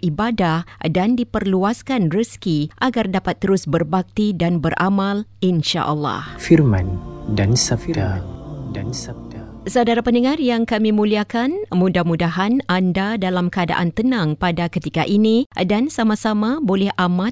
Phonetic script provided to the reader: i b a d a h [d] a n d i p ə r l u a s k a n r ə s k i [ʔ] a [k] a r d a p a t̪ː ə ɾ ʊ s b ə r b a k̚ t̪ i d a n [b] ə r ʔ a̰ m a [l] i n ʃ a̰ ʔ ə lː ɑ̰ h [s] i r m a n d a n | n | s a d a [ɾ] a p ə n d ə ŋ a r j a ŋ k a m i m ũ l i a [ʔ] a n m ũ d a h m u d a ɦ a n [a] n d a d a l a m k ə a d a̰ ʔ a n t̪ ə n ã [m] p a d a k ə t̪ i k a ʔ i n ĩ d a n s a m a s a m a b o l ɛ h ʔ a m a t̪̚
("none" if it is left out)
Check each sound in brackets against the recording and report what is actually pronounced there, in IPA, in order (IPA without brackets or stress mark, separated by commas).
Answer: d, ʔ, ɡ, b, l, f, ɾ, k, a, ŋ